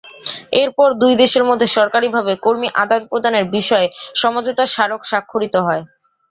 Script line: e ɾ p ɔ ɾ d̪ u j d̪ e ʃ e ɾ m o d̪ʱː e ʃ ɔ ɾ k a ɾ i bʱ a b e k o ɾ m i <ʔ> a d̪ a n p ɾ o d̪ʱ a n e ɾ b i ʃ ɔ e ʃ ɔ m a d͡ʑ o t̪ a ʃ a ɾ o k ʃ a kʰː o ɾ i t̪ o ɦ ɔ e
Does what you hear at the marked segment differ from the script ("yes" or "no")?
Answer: no